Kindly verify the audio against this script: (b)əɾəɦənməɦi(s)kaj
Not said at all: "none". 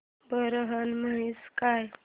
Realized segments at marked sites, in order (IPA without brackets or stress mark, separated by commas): b, s